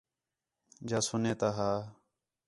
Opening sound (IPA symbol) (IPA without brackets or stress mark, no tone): d͡ʒ